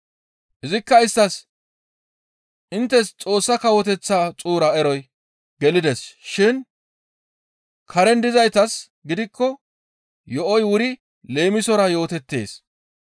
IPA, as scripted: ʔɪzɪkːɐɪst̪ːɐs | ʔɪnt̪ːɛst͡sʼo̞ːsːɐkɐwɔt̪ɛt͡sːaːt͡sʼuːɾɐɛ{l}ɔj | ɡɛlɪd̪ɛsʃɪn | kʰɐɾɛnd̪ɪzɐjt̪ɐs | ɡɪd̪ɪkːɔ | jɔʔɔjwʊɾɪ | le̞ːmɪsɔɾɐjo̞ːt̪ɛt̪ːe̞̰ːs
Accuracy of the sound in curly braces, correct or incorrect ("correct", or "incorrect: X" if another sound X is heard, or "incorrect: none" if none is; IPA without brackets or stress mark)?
incorrect: ɾ